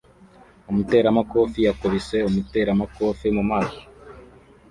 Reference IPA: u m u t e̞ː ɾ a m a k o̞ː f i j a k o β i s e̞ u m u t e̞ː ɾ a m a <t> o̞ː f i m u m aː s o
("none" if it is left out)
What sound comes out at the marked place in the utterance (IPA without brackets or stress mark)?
k